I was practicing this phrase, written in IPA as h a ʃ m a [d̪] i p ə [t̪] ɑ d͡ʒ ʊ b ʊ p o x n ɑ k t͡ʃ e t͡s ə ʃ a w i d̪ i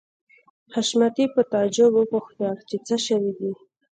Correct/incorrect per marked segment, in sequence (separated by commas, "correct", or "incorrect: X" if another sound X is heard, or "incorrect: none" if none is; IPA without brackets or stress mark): incorrect: t̪, correct